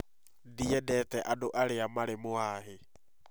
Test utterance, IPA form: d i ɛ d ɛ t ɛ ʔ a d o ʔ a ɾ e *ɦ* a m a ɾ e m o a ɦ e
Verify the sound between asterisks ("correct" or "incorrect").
incorrect